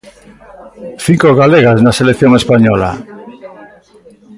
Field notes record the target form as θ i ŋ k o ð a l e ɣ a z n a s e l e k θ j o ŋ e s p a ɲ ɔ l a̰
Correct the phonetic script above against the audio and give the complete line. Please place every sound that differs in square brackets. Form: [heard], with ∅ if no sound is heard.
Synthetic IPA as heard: θ i ŋ k o [ɣ] a l e ɣ a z n a s e l e k θ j o ŋ e s p a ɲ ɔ l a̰

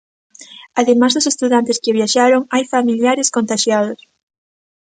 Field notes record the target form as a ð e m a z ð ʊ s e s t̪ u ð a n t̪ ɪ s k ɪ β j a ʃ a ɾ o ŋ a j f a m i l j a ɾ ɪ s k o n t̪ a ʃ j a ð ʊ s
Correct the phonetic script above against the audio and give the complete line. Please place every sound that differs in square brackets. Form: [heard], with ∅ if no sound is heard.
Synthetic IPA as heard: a ð e m a z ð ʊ s e s t̪ u ð a n t̪ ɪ s k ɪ β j a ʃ a ɾ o ŋ a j f a m i l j a ɾ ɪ s k o n t̪ a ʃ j a ð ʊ s

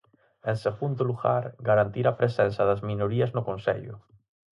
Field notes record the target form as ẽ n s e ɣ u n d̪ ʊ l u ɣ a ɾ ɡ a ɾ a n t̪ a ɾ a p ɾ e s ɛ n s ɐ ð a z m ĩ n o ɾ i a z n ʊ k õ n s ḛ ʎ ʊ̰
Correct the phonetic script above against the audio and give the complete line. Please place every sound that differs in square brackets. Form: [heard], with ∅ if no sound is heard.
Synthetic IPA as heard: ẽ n s e ɣ u n d̪ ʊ l u ɣ a ɾ ɡ a ɾ a n t̪ [i] ɾ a p ɾ e s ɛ n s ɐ ð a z m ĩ n o ɾ i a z n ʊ k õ n s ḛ ʎ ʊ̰

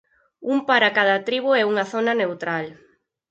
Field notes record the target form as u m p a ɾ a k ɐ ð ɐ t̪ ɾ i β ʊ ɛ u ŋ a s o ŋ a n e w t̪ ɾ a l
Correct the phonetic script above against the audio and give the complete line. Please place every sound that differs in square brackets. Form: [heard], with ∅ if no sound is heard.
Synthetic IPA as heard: u m p a ɾ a k [a] ð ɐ t̪ ɾ i β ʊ ɛ u ŋ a [θ] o [n] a n e w t̪ ɾ a l

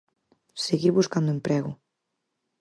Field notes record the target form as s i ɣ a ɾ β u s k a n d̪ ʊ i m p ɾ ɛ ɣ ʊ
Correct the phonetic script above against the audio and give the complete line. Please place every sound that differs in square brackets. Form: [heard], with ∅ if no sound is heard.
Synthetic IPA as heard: s [e] ɣ [i] ɾ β u s k a n d̪ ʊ [e] m p ɾ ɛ ɣ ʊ

